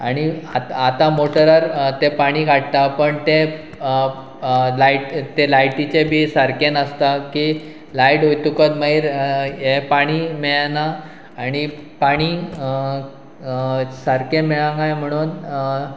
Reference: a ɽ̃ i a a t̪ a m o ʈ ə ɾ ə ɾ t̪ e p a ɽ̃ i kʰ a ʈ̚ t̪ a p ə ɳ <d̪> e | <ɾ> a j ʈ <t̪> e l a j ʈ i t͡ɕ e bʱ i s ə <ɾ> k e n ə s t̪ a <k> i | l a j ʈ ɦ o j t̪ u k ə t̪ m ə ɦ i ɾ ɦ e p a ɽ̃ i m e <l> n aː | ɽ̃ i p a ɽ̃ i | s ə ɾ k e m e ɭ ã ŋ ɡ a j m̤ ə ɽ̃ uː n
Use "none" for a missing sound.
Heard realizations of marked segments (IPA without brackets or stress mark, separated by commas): t̪, l, t̪, ɾ, k, ɭ